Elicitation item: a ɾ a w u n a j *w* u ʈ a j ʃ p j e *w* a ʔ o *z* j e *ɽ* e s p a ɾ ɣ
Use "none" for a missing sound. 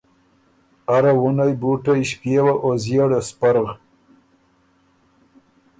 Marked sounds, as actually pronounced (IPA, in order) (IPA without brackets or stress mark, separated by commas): b, w, z, ɽ